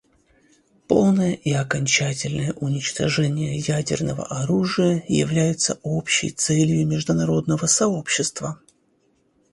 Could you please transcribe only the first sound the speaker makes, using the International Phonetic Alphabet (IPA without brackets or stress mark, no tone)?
p